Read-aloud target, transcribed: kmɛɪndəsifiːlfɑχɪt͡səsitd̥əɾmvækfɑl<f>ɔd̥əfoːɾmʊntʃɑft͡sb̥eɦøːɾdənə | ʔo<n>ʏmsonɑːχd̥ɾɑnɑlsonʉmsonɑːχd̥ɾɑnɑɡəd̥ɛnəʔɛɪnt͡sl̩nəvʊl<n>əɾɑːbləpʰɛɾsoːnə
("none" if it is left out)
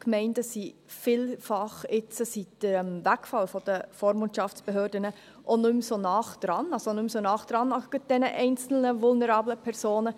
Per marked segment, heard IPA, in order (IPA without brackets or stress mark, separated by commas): f, n, n